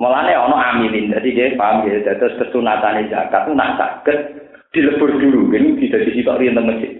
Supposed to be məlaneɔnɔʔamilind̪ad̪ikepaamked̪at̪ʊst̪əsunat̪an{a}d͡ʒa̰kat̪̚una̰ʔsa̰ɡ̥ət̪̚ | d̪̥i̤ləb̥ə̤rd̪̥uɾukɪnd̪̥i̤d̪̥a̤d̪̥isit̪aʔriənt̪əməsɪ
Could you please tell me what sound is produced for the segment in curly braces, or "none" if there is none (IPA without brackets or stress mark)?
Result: e